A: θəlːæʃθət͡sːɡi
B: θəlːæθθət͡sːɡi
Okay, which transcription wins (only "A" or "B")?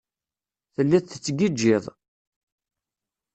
B